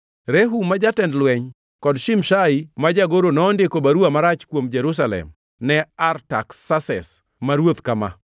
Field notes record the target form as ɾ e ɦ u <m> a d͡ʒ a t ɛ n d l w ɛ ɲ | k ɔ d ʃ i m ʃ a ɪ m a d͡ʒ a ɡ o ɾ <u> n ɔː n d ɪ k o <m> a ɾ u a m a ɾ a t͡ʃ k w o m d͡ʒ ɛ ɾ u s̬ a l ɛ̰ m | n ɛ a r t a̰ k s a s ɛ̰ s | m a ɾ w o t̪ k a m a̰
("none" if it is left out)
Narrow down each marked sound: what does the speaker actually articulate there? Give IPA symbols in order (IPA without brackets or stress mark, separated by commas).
m, o, b